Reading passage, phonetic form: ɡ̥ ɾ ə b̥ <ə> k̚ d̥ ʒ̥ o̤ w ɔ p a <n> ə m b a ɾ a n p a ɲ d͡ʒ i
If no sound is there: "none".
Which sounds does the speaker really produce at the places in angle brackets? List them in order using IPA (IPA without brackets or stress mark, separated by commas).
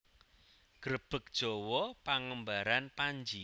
ə, ŋ